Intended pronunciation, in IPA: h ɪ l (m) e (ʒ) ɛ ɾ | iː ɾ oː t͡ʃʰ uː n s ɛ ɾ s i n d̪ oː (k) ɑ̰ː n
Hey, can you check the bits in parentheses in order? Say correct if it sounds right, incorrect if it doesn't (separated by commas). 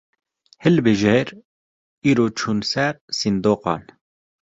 incorrect, correct, incorrect